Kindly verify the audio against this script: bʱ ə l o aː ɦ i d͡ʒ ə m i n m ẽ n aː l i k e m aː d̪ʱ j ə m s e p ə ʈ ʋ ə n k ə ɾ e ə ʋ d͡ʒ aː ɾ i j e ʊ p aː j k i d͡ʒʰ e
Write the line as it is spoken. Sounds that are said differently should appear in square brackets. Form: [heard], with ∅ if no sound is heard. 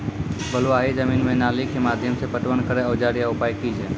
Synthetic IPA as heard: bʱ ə l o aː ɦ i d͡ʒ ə m i n m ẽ n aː l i k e m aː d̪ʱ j ə m s e p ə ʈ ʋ ə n k ə ɾ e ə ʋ d͡ʒ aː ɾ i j [a] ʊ p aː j k i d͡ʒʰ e